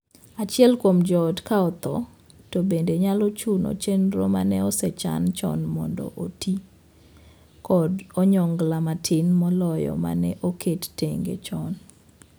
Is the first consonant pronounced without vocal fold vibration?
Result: yes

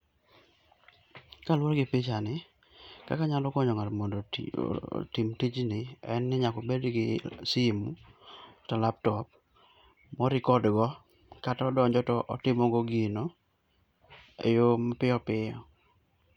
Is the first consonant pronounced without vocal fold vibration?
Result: yes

